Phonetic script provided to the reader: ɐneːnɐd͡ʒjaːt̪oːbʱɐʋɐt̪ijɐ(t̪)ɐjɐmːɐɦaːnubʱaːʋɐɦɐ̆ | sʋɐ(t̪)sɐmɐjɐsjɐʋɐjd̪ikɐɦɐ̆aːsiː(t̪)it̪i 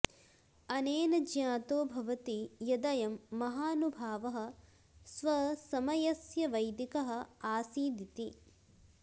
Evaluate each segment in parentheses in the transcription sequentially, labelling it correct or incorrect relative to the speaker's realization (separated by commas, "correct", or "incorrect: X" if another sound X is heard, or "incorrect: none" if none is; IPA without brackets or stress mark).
incorrect: d̪, incorrect: none, incorrect: d̪